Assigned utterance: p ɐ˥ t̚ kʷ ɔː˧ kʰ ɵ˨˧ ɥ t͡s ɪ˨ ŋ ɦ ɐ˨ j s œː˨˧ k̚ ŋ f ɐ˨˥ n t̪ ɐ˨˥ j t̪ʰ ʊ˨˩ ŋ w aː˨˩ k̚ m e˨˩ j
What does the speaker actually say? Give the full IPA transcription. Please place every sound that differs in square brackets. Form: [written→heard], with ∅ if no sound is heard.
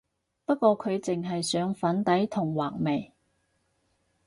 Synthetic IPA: p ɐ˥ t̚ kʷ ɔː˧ kʰ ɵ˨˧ ɥ t͡s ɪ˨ ŋ ɦ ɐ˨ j s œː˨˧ [k̚→∅] ŋ f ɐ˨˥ n t̪ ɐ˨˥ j t̪ʰ ʊ˨˩ ŋ w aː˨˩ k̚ m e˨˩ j